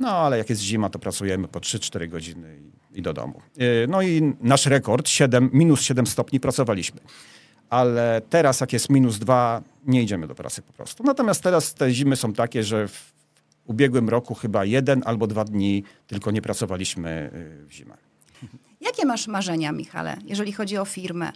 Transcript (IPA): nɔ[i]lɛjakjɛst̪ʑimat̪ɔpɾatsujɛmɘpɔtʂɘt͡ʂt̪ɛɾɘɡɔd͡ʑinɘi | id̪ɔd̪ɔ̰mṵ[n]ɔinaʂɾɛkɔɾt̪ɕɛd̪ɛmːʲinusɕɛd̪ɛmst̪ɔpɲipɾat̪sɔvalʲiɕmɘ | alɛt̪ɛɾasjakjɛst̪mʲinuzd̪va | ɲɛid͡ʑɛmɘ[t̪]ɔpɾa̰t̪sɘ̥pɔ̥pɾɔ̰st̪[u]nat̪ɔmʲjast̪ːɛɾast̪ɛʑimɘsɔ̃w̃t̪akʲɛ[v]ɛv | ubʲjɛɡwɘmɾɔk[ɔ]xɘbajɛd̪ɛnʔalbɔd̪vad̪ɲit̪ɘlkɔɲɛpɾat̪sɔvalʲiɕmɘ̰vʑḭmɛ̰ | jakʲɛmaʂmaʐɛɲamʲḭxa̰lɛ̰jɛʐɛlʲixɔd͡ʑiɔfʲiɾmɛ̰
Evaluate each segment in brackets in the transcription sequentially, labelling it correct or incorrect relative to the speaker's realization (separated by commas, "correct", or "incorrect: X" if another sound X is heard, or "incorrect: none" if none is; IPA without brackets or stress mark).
incorrect: a, correct, incorrect: d̪, correct, incorrect: ʐ, incorrect: u